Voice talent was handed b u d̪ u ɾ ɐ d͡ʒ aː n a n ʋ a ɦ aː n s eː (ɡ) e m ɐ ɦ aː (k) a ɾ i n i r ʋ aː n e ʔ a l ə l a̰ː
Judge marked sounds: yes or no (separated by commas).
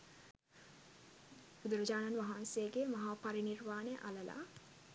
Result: yes, no